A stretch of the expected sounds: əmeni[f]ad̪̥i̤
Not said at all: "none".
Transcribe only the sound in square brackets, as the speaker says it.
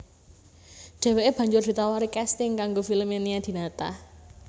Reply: none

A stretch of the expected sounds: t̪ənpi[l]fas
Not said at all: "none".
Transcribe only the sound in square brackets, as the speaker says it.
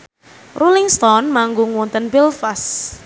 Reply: l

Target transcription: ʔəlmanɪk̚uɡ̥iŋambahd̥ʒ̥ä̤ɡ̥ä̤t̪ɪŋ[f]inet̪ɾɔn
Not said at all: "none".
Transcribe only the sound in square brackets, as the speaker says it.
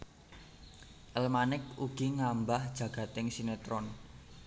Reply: s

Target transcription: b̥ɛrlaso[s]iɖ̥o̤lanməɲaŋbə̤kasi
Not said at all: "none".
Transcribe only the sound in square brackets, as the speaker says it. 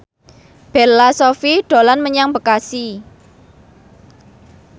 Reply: f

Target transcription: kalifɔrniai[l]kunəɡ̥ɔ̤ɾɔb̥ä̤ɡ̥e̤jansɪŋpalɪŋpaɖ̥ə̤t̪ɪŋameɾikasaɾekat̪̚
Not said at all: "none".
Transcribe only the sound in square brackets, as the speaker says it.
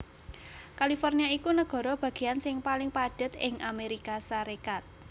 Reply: none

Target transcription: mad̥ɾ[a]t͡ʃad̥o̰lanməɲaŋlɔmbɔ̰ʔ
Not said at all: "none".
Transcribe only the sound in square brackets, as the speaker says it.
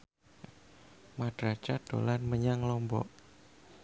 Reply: a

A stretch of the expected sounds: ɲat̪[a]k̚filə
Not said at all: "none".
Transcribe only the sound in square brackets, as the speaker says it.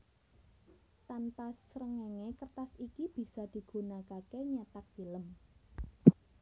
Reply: a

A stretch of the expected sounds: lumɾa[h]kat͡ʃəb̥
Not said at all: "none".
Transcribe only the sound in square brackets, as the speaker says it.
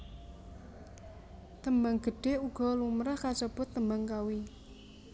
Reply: h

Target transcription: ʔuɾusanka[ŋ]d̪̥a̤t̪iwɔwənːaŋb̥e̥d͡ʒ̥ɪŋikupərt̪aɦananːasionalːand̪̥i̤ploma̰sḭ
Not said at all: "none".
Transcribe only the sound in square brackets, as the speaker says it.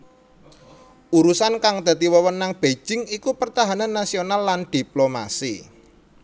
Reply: ŋ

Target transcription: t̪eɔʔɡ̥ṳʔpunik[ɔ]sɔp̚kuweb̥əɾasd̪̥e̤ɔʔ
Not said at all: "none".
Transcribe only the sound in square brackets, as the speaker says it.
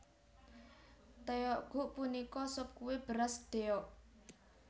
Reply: ɔ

